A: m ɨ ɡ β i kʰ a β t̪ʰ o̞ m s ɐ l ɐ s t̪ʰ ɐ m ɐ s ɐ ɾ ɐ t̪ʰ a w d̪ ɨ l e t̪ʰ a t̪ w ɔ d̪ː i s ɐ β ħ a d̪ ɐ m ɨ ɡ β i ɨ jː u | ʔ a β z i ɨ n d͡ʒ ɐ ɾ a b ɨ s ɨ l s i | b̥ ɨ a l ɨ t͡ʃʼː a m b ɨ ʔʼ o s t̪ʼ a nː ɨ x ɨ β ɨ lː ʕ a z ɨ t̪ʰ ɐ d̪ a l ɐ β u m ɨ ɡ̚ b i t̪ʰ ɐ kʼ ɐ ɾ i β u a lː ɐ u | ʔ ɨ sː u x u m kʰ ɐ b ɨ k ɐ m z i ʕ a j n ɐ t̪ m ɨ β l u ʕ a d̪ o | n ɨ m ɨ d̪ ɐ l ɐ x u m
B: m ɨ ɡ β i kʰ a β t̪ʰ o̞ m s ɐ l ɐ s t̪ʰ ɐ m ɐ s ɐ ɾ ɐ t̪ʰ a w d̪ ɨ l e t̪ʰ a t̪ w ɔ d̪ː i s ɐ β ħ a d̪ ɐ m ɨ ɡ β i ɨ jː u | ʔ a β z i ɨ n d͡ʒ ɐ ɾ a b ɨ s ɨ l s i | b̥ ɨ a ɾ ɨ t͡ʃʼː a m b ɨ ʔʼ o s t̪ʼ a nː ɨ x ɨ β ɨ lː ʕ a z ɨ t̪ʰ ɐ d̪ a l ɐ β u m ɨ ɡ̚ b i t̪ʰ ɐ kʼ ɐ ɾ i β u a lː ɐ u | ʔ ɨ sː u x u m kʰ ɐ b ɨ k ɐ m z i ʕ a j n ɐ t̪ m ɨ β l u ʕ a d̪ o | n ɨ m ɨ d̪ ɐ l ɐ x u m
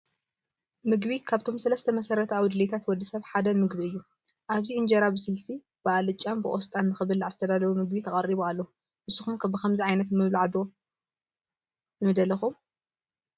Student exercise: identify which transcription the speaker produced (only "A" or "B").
A